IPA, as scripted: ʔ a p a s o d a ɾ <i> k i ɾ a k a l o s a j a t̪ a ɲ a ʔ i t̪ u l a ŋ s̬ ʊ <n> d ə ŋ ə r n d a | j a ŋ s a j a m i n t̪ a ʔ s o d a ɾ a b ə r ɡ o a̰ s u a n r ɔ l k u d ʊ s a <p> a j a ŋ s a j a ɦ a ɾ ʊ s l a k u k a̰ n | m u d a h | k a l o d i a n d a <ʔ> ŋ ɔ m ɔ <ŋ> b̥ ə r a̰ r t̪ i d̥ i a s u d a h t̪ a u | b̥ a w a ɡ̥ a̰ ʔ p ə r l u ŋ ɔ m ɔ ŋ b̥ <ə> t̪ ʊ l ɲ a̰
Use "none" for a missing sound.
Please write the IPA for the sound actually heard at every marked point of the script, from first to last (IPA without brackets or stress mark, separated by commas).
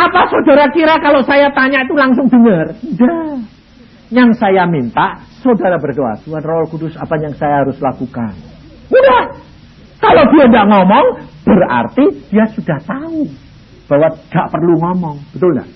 a, ŋ, p, ʔ, ŋ, ə